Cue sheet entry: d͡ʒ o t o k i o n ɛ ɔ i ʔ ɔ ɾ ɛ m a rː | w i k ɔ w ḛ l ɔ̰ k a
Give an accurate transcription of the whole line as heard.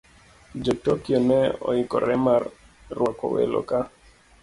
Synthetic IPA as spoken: d͡ʒ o t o k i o n ɛ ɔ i k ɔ ɾ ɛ m a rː | w a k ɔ w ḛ l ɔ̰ k a